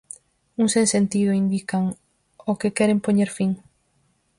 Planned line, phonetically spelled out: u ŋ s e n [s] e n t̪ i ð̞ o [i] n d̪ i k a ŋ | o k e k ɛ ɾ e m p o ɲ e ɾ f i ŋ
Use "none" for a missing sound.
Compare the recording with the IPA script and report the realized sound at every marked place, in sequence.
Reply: s, i

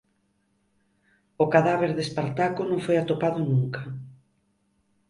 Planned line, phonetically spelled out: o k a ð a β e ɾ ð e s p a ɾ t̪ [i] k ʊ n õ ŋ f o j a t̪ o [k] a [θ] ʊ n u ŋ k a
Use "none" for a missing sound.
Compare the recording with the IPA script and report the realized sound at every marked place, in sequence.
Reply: a, p, ð

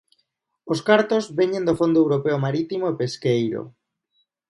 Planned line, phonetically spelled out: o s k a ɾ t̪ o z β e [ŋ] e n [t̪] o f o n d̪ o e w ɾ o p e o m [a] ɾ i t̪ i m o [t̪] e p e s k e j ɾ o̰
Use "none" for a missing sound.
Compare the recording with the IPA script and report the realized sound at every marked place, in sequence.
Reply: ɲ, d̪, a, none

